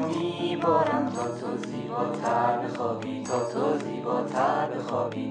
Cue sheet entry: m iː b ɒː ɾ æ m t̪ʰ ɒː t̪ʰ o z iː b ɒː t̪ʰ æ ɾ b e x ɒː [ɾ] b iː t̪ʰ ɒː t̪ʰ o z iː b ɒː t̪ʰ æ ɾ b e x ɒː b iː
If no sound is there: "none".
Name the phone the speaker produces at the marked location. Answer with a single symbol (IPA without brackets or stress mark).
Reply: none